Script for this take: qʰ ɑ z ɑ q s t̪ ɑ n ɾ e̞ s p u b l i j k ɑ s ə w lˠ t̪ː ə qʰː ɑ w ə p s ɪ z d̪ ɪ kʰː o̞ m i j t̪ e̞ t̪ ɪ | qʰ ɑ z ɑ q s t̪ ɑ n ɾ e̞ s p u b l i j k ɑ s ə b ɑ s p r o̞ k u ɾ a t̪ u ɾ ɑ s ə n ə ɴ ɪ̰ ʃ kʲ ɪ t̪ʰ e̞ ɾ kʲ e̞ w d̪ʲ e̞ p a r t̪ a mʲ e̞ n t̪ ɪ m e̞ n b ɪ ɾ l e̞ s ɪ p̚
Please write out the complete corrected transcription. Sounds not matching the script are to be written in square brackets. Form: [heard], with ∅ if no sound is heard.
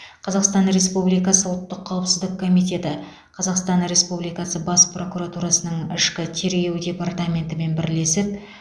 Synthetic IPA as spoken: qʰ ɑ z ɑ q s t̪ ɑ n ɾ e̞ s p u b l i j k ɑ s ə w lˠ t̪ː ə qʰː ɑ w ə p s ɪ z d̪ ɪ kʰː o̞ m i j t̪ e̞ t̪ ɪ | qʰ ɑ z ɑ q s t̪ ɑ n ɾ e̞ s p u b l i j k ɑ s ə b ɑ s p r o̞ k u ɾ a t̪ u ɾ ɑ s ə n ə ɴ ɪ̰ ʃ kʲ ɪ t̪ʰ e̞ ɾ [ɡʲ] e̞ w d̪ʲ e̞ p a r t̪ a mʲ e̞ n t̪ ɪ m e̞ n b ɪ ɾ l e̞ s ɪ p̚

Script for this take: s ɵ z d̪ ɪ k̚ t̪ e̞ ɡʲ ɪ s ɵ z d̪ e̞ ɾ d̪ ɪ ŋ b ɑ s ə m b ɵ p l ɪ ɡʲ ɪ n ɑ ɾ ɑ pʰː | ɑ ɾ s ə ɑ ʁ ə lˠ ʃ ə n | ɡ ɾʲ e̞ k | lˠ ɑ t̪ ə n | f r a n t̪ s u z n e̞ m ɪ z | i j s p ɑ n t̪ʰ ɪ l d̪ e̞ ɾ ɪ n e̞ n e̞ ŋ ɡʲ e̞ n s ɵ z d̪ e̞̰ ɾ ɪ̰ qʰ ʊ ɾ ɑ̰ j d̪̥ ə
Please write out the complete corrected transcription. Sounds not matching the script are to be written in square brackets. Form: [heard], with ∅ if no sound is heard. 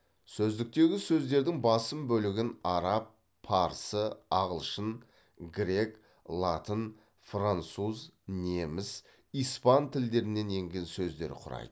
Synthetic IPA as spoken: s ɵ z d̪ ɪ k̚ t̪ e̞ ɡʲ ɪ s ɵ z d̪ e̞ ɾ d̪ ɪ ŋ b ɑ s ə m b ɵ [∅] l ɪ ɡʲ ɪ n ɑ ɾ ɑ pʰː | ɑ ɾ s ə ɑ ʁ ə lˠ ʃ ə n | ɡ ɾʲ e̞ k | lˠ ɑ t̪ ə n | f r a n t̪ s u z n e̞ m ɪ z | i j s p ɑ n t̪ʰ ɪ l d̪ e̞ ɾ ɪ n e̞ n e̞ ŋ ɡʲ e̞ n s ɵ z d̪ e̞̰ ɾ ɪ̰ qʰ ʊ ɾ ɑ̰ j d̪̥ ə

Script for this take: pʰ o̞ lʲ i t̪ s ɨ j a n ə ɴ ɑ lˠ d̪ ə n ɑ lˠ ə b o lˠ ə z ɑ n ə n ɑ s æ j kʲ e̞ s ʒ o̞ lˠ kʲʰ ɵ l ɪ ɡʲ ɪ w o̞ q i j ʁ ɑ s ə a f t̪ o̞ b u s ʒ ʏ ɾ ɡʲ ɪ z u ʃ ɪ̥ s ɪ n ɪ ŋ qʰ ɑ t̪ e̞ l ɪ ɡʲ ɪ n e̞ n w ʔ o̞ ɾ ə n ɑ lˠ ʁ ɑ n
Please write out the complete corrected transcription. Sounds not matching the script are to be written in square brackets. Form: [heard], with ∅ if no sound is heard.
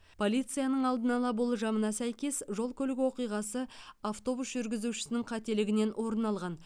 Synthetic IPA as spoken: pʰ o̞ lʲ i t̪ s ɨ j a n ə ɴ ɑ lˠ d̪ ə n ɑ lˠ [ɑ] b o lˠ ə [ʒ] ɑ [m] ə n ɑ s æ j kʲ e̞ s ʒ o̞ lˠ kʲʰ ɵ l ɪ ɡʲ ɪ w o̞ q i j ʁ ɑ s ə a f t̪ o̞ b u s ʒ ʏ ɾ ɡʲ ɪ z u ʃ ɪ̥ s ɪ n ɪ ŋ qʰ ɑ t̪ e̞ l ɪ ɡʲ ɪ n e̞ n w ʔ o̞ ɾ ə n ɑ lˠ ʁ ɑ n

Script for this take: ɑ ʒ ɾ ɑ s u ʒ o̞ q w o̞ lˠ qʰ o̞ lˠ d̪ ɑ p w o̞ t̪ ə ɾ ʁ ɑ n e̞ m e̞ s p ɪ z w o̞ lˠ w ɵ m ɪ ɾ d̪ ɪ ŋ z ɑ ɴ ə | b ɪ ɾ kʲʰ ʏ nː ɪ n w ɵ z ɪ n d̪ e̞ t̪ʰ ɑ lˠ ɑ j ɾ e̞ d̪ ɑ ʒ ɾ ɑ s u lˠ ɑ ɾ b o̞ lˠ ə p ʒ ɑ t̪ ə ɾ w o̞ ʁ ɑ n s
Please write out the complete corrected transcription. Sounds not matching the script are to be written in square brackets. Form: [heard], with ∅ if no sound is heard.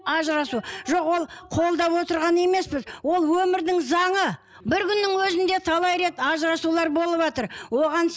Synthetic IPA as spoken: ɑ ʒ ɾ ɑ s u ʒ o̞ q w o̞ lˠ qʰ o̞ lˠ d̪ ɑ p w o̞ t̪ ə ɾ ʁ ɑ n e̞ m e̞ s p ɪ z w o̞ lˠ w ɵ m ɪ ɾ d̪ ɪ ŋ z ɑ ɴ ə | b ɪ ɾ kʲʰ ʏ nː ɪ [ŋ] w ɵ z ɪ n d̪ e̞ t̪ʰ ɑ lˠ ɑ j ɾ e̞ [t̪] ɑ ʒ ɾ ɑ s u lˠ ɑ ɾ b o̞ lˠ ə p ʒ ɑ t̪ ə ɾ w o̞ ʁ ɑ n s

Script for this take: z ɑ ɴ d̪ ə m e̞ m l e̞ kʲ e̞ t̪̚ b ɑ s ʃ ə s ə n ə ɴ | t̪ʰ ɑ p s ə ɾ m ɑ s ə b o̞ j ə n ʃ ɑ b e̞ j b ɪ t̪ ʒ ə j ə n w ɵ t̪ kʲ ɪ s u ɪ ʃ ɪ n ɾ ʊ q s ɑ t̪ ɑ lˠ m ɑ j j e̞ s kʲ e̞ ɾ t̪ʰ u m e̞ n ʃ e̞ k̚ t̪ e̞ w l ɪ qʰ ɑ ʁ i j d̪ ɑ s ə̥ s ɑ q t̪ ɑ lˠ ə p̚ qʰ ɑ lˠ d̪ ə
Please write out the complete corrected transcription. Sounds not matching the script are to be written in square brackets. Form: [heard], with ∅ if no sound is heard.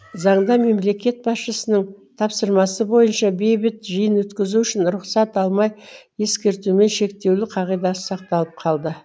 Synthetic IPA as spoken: z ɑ ɴ d̪ [ɑ] m e̞ m l e̞ kʲ e̞ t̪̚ b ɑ s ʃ ə s ə n ə ɴ | t̪ʰ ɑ p s ə ɾ m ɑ s ə b o̞ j ə n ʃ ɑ b e̞ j b ɪ t̪ ʒ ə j ə n w ɵ t̪ kʲ ɪ [z] u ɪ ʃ ɪ n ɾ ʊ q s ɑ t̪ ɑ lˠ m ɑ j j e̞ s kʲ e̞ ɾ [t̪] u m e̞ n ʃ e̞ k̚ t̪ e̞ w l ɪ qʰ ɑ ʁ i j d̪ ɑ s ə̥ s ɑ q t̪ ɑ lˠ ə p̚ qʰ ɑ lˠ d̪ ə

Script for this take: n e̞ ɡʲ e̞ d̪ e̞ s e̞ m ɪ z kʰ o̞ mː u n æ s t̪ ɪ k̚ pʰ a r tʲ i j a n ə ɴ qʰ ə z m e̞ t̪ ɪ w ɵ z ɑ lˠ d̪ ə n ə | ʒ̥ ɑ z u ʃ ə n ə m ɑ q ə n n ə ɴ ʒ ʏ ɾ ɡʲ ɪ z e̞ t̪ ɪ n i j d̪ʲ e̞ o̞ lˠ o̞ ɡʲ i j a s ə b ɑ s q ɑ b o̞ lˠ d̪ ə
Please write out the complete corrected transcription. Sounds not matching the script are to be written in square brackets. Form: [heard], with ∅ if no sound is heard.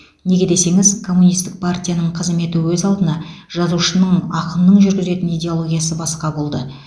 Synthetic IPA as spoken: n e̞ ɡʲ e̞ d̪ e̞ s e̞ [ŋ] ɪ z kʰ o̞ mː u n [i] s t̪ ɪ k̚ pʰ a r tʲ i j a n ə ɴ qʰ ə z m e̞ t̪ ɪ w ɵ z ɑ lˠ d̪ ə n [ɑ] | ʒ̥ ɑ z u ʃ ə n ə [ɴ] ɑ q ə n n ə ɴ ʒ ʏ ɾ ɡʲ ɪ z e̞ t̪ ɪ n i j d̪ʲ e̞ o̞ lˠ o̞ ɡʲ i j a s ə b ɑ s q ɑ b o̞ lˠ d̪ ə

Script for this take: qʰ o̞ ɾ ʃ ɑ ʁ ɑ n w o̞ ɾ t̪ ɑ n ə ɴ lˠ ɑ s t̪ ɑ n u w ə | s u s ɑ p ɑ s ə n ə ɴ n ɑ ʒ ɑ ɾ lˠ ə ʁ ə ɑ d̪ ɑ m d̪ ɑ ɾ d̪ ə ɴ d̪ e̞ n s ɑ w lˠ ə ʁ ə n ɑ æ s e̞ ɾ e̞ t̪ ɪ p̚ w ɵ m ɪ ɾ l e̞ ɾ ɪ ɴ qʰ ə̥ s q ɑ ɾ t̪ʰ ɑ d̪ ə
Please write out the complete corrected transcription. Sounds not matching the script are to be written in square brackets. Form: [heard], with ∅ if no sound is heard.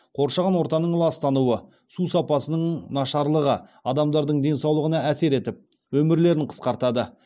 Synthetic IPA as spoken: qʰ o̞ ɾ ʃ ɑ ʁ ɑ n w o̞ ɾ t̪ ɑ n ə ɴ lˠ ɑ s t̪ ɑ n u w ə | s u s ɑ p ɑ s ə n ə ɴ n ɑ [ʃ] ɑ ɾ lˠ ə ʁ ə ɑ d̪ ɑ m d̪ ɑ ɾ d̪ ə ɴ d̪ e̞ n s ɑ w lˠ ə ʁ ə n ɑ æ s e̞ ɾ e̞ t̪ ɪ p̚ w ɵ m ɪ ɾ l e̞ ɾ ɪ ɴ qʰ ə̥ s q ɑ ɾ [t̪] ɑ d̪ ə

